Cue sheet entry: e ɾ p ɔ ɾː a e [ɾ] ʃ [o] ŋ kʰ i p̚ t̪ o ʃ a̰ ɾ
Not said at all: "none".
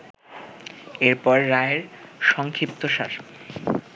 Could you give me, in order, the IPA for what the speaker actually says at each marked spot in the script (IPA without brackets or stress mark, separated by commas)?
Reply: ɾ, ɔ